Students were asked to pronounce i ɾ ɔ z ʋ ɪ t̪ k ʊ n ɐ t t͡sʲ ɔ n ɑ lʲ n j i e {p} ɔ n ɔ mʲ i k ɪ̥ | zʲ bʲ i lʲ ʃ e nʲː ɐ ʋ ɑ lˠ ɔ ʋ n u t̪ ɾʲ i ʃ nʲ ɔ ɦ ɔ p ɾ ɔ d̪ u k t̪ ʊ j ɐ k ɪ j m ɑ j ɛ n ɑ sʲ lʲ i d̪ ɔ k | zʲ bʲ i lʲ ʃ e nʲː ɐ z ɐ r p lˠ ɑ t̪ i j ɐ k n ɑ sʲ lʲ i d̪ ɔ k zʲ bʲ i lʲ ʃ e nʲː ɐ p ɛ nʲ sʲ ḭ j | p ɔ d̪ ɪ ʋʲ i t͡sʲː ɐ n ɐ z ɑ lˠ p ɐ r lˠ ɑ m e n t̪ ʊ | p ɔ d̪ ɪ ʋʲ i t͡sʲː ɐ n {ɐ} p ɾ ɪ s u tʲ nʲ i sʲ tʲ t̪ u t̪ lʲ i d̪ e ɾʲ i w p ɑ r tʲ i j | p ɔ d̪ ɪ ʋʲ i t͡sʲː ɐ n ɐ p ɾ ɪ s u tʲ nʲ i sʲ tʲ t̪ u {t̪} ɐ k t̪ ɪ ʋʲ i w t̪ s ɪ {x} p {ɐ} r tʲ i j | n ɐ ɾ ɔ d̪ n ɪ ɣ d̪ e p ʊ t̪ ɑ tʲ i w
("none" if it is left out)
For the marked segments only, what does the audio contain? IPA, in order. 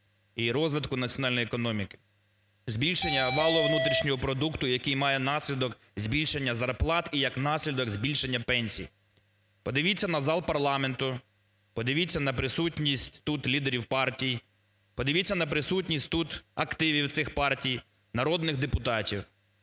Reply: k, ɐ, t̪, x, ɑ

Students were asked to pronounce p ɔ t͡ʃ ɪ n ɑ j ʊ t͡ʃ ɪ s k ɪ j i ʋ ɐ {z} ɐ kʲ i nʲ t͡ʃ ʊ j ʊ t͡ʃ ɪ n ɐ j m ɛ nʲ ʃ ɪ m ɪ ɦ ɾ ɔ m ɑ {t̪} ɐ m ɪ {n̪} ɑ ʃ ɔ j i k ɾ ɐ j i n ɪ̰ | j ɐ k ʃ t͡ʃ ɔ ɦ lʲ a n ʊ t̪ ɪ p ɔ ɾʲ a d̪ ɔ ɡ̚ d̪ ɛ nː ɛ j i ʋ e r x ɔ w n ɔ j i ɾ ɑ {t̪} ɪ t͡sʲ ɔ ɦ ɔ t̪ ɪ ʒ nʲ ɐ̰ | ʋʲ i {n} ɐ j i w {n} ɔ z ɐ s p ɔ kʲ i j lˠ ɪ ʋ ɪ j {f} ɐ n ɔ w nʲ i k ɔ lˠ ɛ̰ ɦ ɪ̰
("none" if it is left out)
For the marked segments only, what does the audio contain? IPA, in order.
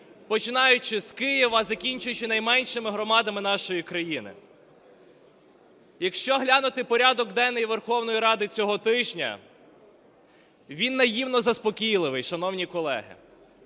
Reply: z, d̪, n̪, d̪, nː, n, ʃ

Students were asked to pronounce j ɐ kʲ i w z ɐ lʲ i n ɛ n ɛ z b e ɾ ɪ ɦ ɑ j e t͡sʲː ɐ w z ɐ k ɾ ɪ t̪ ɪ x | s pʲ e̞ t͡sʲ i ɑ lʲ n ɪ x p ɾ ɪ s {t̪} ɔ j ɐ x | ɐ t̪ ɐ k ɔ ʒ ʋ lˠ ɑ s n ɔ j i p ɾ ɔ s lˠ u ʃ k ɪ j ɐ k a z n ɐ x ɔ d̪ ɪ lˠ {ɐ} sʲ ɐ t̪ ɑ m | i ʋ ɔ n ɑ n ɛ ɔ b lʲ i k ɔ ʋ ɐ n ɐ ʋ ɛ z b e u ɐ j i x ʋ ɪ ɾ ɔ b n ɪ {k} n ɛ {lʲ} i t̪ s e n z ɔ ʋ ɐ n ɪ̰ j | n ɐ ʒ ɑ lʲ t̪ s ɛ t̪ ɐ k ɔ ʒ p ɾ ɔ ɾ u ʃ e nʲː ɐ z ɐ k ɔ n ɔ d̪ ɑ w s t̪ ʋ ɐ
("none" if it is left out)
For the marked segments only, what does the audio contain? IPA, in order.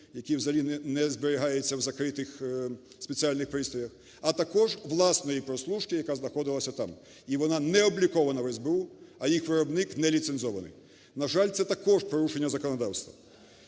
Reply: t̪, ɐ, k, lʲ

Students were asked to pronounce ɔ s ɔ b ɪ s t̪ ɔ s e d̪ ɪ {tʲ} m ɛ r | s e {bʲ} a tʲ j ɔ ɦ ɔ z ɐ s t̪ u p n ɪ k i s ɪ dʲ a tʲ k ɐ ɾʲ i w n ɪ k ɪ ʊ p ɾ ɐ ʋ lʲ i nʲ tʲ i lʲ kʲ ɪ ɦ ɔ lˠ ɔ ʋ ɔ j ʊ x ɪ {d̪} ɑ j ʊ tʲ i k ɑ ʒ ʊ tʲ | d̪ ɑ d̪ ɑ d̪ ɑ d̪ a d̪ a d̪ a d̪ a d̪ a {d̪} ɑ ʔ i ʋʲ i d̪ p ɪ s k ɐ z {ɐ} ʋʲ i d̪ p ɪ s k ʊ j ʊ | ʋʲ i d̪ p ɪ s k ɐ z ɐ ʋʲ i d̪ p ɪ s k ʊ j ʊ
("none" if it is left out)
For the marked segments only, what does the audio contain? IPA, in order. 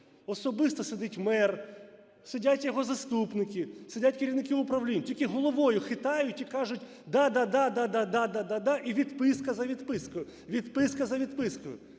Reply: tʲ, dʲ, t̪, d̪, ɐ

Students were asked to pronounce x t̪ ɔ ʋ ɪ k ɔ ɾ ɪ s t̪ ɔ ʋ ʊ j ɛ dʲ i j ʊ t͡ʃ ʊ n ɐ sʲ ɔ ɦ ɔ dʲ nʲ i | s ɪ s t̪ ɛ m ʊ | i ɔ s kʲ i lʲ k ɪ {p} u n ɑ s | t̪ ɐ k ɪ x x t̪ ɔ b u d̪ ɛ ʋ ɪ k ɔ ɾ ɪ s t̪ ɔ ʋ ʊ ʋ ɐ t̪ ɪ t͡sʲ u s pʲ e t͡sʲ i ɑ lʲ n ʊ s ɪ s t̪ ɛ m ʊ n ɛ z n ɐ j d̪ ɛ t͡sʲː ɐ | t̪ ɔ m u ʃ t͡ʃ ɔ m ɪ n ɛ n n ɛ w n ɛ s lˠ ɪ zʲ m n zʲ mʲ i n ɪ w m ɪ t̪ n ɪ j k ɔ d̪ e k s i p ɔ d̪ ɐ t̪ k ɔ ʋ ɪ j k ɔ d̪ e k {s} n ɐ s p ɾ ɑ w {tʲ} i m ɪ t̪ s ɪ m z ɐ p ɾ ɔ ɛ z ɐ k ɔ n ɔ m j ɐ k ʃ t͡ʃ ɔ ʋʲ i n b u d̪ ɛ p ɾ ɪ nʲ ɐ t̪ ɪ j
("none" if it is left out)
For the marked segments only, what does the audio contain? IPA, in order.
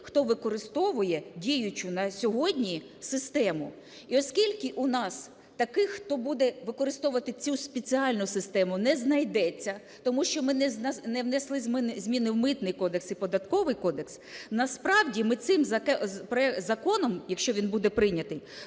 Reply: ʔ, s, dʲ

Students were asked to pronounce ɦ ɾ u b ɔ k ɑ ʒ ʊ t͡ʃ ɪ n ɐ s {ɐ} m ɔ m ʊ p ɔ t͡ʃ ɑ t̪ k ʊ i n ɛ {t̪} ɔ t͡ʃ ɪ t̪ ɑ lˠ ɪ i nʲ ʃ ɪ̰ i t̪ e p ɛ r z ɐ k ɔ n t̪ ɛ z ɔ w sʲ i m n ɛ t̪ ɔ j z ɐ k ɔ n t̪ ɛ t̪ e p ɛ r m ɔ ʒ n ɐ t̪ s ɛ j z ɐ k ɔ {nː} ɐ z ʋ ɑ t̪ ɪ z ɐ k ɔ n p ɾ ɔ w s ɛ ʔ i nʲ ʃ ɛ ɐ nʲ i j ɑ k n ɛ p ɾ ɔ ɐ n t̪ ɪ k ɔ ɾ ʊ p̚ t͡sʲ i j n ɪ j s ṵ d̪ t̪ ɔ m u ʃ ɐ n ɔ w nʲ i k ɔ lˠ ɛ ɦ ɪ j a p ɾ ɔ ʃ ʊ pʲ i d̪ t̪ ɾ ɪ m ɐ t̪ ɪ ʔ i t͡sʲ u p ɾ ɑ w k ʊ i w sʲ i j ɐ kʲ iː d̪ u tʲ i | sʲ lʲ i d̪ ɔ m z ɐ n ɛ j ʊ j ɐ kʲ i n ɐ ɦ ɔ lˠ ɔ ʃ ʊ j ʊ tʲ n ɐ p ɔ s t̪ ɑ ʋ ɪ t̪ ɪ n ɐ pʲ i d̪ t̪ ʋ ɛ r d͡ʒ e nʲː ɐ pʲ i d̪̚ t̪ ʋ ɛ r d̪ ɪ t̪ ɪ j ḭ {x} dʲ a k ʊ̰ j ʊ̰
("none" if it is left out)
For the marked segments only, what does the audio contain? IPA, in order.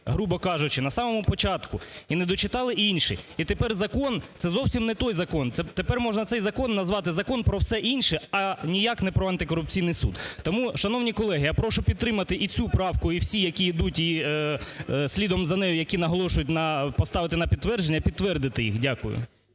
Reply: ɑ, d̪, nː, x

